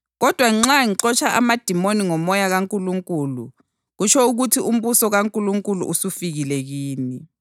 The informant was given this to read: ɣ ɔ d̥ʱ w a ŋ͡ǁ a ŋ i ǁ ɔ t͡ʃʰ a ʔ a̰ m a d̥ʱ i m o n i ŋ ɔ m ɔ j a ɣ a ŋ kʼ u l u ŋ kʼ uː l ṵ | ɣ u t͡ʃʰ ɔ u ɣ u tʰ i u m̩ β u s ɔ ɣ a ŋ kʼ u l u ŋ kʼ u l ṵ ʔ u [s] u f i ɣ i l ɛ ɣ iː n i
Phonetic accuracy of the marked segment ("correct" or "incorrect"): correct